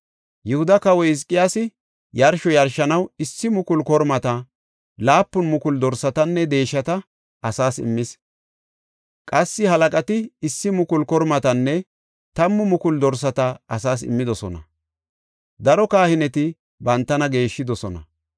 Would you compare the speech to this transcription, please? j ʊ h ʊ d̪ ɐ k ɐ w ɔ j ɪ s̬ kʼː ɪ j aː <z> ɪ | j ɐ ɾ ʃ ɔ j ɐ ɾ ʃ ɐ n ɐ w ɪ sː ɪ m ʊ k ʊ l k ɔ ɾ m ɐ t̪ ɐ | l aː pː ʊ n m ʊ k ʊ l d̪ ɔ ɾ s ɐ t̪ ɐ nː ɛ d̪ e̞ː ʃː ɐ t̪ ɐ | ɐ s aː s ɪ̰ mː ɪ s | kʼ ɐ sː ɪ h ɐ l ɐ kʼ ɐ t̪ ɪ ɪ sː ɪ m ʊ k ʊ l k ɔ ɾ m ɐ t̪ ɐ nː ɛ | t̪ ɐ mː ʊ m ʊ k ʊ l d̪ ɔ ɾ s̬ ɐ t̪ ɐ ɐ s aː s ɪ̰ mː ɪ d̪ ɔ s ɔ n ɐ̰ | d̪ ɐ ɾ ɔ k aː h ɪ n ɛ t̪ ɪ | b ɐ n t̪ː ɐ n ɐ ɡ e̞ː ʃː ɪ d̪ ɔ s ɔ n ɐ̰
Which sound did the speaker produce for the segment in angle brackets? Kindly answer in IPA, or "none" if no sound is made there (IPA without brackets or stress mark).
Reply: s